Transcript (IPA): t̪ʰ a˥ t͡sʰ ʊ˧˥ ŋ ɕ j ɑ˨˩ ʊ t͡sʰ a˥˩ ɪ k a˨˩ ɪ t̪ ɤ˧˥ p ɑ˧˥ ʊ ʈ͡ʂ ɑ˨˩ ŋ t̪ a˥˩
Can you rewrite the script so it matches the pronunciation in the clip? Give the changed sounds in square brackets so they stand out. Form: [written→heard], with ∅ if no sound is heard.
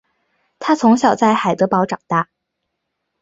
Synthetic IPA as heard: t̪ʰ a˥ t͡sʰ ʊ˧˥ ŋ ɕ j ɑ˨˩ ʊ [t͡sʰ→t͡s] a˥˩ ɪ [k→x] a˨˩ ɪ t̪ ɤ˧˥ p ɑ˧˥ ʊ ʈ͡ʂ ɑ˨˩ ŋ t̪ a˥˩